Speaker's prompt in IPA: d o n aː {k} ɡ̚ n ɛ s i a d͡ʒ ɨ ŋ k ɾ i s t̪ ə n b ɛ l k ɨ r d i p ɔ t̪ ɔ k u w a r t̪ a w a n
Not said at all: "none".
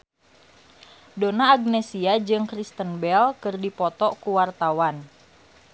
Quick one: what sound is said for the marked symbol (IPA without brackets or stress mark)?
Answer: none